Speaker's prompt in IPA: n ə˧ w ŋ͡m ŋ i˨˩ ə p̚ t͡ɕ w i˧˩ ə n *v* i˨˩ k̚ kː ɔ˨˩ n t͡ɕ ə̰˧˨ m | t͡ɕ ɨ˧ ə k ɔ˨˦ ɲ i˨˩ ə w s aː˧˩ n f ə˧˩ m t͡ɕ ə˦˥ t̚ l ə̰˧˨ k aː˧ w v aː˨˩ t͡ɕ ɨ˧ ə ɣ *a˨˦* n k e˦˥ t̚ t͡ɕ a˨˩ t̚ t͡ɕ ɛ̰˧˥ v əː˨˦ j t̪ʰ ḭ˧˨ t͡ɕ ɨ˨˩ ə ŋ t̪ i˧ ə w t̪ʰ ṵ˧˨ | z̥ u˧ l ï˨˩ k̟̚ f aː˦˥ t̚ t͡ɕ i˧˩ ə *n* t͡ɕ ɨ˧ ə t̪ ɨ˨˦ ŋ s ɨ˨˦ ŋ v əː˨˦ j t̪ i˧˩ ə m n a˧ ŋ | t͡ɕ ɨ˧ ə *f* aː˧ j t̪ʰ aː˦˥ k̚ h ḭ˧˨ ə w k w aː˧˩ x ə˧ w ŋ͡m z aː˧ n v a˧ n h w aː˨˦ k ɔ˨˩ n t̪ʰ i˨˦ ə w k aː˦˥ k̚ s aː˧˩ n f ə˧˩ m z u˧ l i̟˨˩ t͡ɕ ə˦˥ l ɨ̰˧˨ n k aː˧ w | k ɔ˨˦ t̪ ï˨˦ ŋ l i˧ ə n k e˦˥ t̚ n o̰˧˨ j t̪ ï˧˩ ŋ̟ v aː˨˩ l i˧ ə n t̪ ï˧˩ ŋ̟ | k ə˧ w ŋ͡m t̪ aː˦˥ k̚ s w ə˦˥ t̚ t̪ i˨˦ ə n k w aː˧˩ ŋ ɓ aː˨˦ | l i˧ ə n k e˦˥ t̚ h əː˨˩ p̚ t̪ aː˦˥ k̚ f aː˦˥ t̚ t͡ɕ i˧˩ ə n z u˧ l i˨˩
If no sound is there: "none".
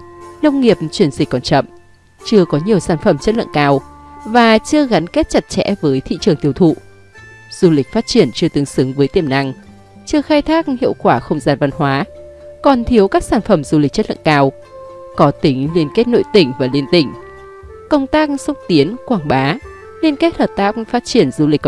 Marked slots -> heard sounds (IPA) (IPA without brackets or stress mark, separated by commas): z, a˨˦, n, x